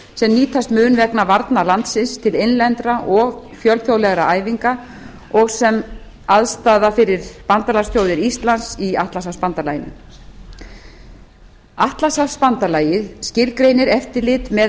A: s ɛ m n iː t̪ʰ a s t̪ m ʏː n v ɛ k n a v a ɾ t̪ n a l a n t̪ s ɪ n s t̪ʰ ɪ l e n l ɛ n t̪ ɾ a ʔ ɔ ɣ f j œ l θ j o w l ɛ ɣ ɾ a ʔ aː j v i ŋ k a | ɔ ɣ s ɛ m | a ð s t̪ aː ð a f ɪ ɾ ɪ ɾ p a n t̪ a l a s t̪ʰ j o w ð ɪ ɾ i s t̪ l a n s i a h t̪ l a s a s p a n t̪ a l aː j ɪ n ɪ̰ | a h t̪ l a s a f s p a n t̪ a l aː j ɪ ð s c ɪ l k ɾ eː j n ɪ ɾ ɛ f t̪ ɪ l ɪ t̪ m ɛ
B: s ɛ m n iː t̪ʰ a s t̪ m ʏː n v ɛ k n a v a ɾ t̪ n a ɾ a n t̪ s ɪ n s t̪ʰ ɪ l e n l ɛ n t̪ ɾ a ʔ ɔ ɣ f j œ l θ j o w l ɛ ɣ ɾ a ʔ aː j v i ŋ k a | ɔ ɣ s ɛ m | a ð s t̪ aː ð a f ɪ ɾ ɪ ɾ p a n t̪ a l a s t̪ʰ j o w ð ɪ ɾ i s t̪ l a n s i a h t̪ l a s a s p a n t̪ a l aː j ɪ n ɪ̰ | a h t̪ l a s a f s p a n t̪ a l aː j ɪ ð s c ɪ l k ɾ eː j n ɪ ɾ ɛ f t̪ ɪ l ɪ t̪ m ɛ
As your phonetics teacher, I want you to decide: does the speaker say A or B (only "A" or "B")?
A